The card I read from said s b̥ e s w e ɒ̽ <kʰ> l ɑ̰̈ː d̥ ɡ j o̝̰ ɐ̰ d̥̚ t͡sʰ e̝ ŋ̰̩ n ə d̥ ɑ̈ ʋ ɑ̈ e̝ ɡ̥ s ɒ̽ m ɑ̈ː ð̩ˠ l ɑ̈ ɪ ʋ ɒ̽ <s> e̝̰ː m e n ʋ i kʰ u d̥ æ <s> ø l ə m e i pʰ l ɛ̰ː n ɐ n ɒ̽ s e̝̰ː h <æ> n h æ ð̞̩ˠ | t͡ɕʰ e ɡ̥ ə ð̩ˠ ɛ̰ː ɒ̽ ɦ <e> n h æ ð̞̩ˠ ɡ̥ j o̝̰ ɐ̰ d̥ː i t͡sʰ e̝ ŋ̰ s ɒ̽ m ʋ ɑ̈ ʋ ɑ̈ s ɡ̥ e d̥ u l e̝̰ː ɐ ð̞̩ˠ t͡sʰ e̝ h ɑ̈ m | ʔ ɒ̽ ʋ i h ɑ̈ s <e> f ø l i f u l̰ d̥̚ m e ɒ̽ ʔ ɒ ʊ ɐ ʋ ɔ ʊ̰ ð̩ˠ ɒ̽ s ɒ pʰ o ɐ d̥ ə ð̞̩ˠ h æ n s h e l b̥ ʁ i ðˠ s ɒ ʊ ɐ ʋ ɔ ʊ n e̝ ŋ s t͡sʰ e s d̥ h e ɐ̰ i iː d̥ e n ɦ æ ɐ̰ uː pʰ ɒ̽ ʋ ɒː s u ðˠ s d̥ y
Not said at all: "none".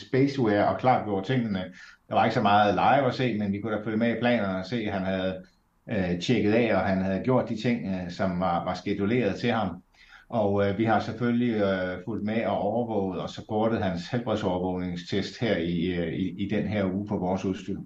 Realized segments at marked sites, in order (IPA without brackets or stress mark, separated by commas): kʰ, s, f, æ, æ, e